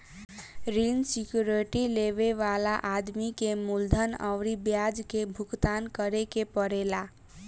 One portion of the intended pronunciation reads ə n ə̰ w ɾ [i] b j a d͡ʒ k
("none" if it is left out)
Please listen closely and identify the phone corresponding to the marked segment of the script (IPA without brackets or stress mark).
i